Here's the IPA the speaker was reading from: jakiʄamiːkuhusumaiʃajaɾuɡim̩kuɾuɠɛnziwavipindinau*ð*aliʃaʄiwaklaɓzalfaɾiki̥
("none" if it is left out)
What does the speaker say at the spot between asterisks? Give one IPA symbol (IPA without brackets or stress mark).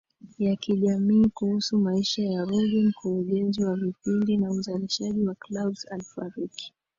z